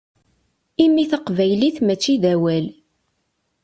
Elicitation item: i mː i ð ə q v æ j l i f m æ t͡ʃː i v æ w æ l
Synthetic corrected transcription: i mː i θ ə q v æ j l i θ m æ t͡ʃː i ð æ w æ l